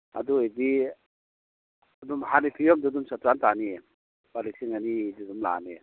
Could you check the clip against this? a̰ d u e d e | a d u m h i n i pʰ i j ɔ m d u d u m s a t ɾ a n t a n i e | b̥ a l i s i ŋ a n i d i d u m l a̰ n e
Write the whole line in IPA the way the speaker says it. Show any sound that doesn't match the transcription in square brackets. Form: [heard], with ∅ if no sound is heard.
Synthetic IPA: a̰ d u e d [i] | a d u m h [a] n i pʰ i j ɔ m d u d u m s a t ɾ a n t a n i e | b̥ a l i s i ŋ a n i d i d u m l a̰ n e